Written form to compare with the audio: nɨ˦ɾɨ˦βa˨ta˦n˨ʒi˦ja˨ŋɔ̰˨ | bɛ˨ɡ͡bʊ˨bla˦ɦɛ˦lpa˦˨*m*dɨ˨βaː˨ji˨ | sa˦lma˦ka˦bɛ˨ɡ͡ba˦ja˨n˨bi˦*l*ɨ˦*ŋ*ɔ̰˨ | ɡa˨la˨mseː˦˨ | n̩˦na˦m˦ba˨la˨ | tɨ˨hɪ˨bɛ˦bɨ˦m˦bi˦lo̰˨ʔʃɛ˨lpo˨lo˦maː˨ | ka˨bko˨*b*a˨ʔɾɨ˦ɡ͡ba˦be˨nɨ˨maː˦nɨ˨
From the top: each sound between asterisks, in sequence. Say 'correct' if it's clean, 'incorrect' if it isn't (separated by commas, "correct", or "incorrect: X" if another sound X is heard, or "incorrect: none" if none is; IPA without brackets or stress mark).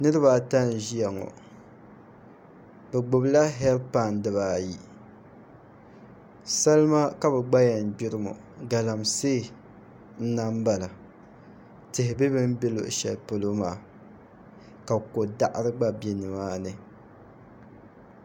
incorrect: n, incorrect: ɾ, incorrect: m, incorrect: d